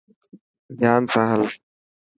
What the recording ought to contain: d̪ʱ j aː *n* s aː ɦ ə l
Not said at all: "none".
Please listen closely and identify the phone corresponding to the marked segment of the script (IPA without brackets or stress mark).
n